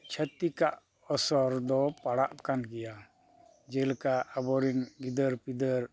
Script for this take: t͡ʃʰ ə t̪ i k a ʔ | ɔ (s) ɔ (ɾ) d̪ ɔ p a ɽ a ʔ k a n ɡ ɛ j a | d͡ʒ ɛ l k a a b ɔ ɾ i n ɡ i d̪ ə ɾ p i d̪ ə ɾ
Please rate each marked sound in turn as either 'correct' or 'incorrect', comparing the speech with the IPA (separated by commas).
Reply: correct, correct